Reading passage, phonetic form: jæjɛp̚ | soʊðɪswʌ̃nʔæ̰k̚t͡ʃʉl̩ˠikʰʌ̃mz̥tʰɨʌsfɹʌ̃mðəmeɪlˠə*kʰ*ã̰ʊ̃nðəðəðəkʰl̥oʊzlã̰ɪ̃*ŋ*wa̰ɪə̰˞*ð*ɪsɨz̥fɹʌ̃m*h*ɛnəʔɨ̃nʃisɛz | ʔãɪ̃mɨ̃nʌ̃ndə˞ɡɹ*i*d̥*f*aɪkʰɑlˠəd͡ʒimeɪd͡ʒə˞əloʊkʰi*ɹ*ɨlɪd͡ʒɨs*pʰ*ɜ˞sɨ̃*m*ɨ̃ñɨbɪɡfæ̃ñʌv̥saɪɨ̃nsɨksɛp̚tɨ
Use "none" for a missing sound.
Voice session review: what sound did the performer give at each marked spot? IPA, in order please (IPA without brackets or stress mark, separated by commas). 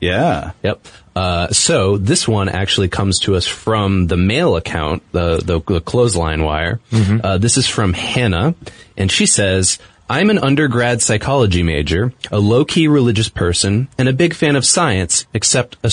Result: kʰ, n, ð, h, æ, s, ɹ, pʰ, n